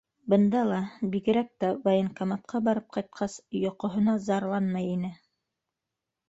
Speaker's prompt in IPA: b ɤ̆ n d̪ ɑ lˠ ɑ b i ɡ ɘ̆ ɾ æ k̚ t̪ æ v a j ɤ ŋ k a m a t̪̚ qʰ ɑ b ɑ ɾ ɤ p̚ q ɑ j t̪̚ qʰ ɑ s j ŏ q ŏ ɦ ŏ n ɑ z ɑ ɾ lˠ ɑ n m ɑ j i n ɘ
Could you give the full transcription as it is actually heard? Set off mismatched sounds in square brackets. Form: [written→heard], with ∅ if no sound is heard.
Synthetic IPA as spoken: b ɤ̆ n d̪ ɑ lˠ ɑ b i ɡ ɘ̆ ɾ æ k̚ t̪ æ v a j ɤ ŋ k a m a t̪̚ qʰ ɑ b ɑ ɾ ɤ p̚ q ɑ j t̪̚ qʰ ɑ s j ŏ q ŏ ɦ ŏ n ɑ z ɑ ɾ lˠ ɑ n m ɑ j i n ɘ